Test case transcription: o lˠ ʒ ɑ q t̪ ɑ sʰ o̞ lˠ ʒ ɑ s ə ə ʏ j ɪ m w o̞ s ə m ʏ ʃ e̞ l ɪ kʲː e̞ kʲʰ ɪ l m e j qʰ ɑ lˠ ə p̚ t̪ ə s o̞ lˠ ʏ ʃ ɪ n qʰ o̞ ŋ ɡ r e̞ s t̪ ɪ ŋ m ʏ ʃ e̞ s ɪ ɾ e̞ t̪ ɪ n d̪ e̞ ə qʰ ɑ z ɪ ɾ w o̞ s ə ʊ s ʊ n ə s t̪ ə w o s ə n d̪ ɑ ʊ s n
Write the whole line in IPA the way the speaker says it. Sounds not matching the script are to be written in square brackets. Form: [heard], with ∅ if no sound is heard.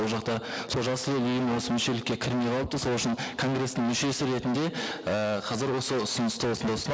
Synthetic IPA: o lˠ ʒ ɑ q t̪ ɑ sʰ o̞ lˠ ʒ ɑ s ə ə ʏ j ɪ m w o̞ s ə m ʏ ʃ e̞ l ɪ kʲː e̞ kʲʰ ɪ [ɾ] m e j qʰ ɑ lˠ ə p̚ t̪ ə s o̞ lˠ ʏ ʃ ɪ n [kʰ] o̞ ŋ ɡ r e̞ s t̪ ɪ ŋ m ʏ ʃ e̞ s ɪ ɾ e̞ t̪ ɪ n d̪ e̞ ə qʰ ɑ z ɪ ɾ w o̞ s ə ʊ s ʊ n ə s t̪ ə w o s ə n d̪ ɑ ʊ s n

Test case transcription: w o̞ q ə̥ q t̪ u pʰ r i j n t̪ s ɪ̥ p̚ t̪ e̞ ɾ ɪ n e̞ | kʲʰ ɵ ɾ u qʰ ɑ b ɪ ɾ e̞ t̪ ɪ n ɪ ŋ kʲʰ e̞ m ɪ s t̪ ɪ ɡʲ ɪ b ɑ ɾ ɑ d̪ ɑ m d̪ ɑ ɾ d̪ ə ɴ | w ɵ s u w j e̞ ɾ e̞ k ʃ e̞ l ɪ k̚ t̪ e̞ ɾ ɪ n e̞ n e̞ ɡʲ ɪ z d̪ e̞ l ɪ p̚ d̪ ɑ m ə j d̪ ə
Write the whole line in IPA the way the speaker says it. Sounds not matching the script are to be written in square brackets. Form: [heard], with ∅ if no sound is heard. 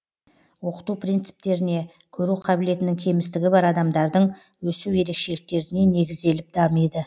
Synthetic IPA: w o̞ q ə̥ [∅] t̪ u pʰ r i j n t̪ s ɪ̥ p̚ t̪ e̞ ɾ ɪ n e̞ | kʲʰ ɵ ɾ u qʰ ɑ b ɪ [l] e̞ t̪ ɪ n ɪ ŋ kʲʰ e̞ m ɪ s t̪ ɪ ɡʲ ɪ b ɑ ɾ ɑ d̪ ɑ m d̪ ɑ ɾ d̪ ə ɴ | w ɵ s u w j e̞ ɾ e̞ k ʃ e̞ l ɪ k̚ t̪ e̞ ɾ ɪ n e̞ n e̞ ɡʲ ɪ z d̪ e̞ l ɪ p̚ d̪ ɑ m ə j d̪ ə

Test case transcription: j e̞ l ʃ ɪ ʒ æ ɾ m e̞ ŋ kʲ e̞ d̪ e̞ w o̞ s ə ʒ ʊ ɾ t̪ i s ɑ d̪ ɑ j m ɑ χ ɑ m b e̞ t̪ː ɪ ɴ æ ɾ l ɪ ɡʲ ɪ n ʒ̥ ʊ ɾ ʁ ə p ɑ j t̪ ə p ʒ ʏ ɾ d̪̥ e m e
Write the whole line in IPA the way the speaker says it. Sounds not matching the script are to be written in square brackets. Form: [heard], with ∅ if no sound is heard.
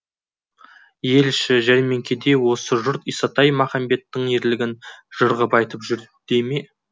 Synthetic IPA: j e̞ l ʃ ɪ ʒ æ ɾ m e̞ ŋ kʲ e̞ d̪ e̞ w o̞ s ə ʒ ʊ ɾ t̪ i s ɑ [t̪] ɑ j m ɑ χ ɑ m b e̞ t̪ː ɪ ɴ [e] ɾ l ɪ ɡʲ ɪ n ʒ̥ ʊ ɾ ʁ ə p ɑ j t̪ ə p ʒ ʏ ɾ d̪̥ e m e

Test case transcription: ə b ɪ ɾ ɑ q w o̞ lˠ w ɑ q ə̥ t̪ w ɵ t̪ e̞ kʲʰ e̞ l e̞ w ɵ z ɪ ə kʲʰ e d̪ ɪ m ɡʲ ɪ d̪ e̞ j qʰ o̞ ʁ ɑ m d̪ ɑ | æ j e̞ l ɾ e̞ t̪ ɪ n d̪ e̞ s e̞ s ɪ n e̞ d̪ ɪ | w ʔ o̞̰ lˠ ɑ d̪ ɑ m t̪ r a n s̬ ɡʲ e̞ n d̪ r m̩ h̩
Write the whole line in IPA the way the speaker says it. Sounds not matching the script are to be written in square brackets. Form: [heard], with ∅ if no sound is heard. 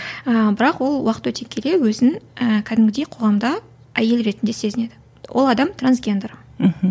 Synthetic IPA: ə b ɪ ɾ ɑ q w o̞ lˠ w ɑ q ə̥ t̪ w ɵ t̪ e̞ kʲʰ e̞ l e̞ w ɵ z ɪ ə kʲʰ [æ] d̪ ɪ m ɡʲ ɪ d̪ e̞ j qʰ o̞ ʁ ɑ m d̪ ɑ | æ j e̞ l ɾ e̞ t̪ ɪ n d̪ e̞ s e̞ [z] ɪ n e̞ d̪ ɪ | w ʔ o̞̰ lˠ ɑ d̪ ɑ m t̪ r a n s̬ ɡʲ e̞ n d̪ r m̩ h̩

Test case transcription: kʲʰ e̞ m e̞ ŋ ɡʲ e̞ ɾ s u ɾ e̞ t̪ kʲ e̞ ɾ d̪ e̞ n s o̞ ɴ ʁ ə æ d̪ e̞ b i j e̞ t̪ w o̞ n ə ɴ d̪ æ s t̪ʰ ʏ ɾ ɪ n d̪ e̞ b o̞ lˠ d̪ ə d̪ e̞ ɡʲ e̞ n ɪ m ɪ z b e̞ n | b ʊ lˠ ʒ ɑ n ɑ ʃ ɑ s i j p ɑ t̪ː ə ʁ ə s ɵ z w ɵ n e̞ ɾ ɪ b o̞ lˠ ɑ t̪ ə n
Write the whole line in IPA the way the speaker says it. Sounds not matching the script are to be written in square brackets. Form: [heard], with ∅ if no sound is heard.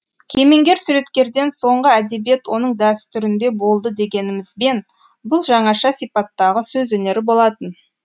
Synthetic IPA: kʲʰ e̞ m e̞ ŋ ɡʲ e̞ ɾ s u ɾ e̞ t̪ kʲ e̞ ɾ d̪ e̞ n s o̞ ɴ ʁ ə æ d̪ e̞ b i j e̞ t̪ w o̞ n ə ɴ d̪ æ s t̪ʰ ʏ ɾ ɪ n d̪ e̞ b o̞ lˠ d̪ ə d̪ e̞ ɡʲ e̞ n ɪ m ɪ z b e̞ n | b ʊ lˠ ʒ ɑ [ɴ] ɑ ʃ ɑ s i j p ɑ t̪ː [ɑ] ʁ ə s ɵ z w ɵ n e̞ ɾ ɪ b o̞ lˠ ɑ t̪ ə n

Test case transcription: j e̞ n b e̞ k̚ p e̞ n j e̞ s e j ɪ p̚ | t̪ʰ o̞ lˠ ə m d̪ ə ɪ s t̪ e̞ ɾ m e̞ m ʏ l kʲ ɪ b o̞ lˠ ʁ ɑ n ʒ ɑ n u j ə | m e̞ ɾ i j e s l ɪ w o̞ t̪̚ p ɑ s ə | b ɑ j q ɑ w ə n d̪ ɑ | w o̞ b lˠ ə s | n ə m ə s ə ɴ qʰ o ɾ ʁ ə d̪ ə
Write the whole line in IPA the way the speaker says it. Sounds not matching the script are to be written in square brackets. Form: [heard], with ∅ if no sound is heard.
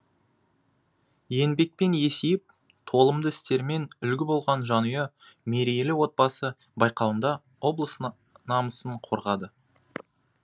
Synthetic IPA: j e̞ n b e̞ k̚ p e̞ n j e̞ s e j ɪ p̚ | t̪ʰ o̞ lˠ ə m d̪ ə ɪ s t̪ e̞ ɾ m e̞ [n] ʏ l [ɡʲ] ɪ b o̞ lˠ ʁ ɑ n ʒ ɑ n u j [ɑ] | m e̞ ɾ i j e [∅] l ɪ w o̞ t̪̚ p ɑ s ə | b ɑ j q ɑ w ə n d̪ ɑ | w o̞ b lˠ ə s | n [ɑ] m ə s ə ɴ qʰ o ɾ ʁ [ɑ] d̪ ə

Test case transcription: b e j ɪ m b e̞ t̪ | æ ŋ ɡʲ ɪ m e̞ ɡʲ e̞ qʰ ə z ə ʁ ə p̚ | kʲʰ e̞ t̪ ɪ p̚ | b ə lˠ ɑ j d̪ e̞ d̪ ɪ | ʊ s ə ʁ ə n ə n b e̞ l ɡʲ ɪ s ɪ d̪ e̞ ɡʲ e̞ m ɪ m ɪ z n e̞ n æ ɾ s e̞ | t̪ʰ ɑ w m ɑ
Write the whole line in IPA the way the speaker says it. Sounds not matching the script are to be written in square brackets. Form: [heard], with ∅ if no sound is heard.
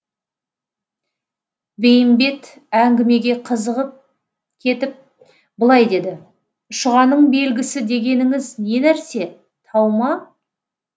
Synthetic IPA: b e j ɪ m b e̞ t̪ | æ ŋ ɡʲ ɪ m e̞ ɡʲ e̞ qʰ ə z ə ʁ ə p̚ | kʲʰ e̞ t̪ ɪ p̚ | b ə lˠ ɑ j d̪ e̞ d̪ ɪ | ʊ [ʃ] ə ʁ [ɑ] n ə [ɴ] b e̞ l ɡʲ ɪ s ɪ d̪ e̞ ɡʲ e̞ [n] ɪ [ŋ] ɪ z n e̞ n æ ɾ s e̞ | t̪ʰ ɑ w m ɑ

